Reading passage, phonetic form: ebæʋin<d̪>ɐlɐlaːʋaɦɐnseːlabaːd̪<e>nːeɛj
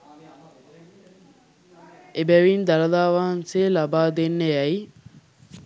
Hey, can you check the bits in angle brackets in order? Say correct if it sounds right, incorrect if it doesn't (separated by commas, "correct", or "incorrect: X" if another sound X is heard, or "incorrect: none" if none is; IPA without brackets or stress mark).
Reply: correct, correct